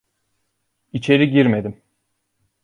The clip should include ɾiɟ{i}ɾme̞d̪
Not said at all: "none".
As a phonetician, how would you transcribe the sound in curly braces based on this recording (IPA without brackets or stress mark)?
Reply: i